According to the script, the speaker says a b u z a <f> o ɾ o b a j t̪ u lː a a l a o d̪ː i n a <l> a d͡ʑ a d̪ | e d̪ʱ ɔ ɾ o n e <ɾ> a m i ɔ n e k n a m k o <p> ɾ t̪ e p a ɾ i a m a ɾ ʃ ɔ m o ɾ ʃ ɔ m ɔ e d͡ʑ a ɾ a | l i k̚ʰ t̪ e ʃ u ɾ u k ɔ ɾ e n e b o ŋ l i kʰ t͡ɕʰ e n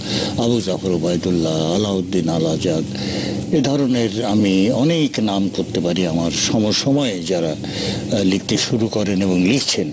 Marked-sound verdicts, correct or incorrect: correct, correct, correct, incorrect: none

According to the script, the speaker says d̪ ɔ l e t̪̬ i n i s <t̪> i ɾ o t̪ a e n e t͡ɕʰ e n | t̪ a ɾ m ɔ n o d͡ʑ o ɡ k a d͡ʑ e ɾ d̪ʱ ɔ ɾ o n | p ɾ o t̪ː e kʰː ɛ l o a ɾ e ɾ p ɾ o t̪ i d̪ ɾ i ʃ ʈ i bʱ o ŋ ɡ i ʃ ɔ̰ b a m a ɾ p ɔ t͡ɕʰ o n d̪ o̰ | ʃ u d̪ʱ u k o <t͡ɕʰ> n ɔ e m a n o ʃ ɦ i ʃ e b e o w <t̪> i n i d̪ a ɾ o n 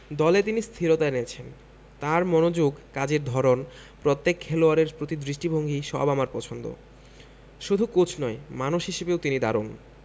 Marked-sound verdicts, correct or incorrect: incorrect: t̪ʰ, correct, correct

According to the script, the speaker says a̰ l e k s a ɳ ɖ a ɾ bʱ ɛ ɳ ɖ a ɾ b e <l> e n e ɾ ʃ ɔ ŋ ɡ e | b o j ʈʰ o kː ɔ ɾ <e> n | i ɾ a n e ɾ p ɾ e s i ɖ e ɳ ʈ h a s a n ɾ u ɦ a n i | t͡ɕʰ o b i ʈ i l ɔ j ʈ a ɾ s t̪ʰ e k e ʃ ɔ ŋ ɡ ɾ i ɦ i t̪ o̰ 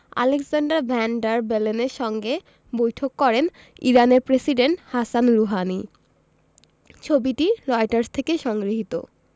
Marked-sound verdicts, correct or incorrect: correct, correct

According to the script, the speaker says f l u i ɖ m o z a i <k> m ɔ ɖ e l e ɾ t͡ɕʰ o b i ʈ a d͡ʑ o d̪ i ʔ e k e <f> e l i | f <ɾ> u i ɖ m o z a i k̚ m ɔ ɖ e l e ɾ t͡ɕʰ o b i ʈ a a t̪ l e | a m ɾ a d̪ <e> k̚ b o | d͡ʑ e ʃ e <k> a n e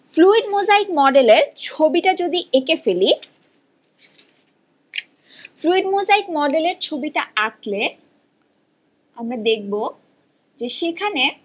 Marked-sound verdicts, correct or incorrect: correct, correct, incorrect: l, correct, incorrect: kʰ

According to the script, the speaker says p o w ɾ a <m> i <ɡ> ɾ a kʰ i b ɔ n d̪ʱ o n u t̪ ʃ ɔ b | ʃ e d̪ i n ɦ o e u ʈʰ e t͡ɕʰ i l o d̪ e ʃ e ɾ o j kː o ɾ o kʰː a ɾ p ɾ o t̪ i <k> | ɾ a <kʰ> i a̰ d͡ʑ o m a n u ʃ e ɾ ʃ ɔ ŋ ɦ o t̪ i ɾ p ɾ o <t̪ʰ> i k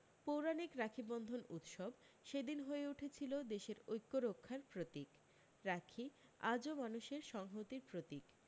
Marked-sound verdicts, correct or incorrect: incorrect: n, incorrect: k, correct, correct, incorrect: t̪

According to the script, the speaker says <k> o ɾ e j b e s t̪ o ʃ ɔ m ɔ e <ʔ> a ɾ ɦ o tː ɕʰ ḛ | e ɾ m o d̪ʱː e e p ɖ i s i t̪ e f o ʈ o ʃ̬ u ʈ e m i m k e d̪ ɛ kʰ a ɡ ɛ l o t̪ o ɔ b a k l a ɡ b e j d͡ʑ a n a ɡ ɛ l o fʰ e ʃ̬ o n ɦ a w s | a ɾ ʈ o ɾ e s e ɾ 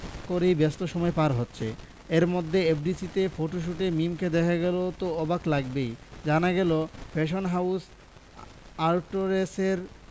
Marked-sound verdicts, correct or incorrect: correct, incorrect: p

